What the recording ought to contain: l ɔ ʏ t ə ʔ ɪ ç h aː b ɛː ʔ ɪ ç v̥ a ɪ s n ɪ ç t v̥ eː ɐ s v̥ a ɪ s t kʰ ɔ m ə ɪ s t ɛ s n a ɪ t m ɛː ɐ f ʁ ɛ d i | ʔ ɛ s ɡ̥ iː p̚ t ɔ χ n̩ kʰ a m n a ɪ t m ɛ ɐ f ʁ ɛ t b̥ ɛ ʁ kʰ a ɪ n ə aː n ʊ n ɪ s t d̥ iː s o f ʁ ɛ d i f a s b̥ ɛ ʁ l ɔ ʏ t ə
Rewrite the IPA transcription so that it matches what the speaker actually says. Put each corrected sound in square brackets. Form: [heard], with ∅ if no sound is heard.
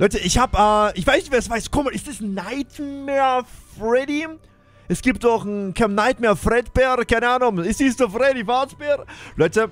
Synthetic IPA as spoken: l ɔ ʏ t ə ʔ ɪ ç h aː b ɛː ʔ ɪ ç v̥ a ɪ s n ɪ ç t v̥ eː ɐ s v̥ a ɪ s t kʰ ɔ m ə ɪ s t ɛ s n a ɪ t m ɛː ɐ f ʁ ɛ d i | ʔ ɛ s ɡ̥ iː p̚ t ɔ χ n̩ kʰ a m n a ɪ t m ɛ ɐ f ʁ ɛ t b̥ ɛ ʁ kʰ a ɪ n ə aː n ʊ [ŋ] ɪ s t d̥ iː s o f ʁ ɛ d i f a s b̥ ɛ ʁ l ɔ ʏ t ə